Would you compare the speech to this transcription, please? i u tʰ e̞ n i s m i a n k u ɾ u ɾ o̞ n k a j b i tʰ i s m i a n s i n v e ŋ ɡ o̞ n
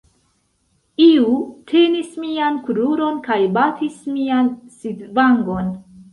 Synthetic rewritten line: i u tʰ e̞ n i s m i a n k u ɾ u ɾ o̞ n k a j b a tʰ i s m i a n s i d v a ŋ ɡ o̞ n